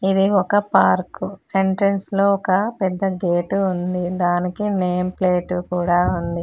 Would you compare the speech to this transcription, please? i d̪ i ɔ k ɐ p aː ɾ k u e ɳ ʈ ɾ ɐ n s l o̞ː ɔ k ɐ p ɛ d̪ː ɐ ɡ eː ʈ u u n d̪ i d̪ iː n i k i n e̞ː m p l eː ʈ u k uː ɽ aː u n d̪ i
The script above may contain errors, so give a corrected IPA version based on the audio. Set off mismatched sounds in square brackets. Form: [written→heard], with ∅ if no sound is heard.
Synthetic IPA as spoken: i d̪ i ɔ k ɐ p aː ɾ k u e ɳ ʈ ɾ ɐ n s l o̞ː ɔ k ɐ p ɛ d̪ː ɐ ɡ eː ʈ u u n d̪ i d̪ [iː→aː] n i k i n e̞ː m p l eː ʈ u k uː ɽ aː u n d̪ i